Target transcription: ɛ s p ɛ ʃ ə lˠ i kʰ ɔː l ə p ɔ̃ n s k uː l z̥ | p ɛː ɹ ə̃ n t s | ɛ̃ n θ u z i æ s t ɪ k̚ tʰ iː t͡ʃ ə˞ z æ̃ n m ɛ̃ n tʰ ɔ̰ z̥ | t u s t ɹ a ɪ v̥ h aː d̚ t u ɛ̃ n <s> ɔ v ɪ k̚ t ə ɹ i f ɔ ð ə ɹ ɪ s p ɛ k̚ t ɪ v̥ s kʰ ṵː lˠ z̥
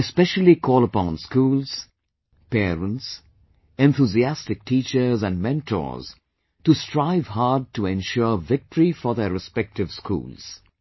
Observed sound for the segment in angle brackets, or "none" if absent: ʃ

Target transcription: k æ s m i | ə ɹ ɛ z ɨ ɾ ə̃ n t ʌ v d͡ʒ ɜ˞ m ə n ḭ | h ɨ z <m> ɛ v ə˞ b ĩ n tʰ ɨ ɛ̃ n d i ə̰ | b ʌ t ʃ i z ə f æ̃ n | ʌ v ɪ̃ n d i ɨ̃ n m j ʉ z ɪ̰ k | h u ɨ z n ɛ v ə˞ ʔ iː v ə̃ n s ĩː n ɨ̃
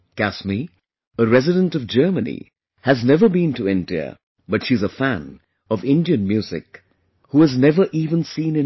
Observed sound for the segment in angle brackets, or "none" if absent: n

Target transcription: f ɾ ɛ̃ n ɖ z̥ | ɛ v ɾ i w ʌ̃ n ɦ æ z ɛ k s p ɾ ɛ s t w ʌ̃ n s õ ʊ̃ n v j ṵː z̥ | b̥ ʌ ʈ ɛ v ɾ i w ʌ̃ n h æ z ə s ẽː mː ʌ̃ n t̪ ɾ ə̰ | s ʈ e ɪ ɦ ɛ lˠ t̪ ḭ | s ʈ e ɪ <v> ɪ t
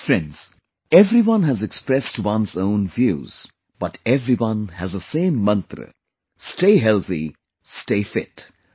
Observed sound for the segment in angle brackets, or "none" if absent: f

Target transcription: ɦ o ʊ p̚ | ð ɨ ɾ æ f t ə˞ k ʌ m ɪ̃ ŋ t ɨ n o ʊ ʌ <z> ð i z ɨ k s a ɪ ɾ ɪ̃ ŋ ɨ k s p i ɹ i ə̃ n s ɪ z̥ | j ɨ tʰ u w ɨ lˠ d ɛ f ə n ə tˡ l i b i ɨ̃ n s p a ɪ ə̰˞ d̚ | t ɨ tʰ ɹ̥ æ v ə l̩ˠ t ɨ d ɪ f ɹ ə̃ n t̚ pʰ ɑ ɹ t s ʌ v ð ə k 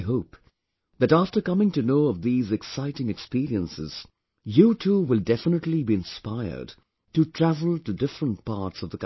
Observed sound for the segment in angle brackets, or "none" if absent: v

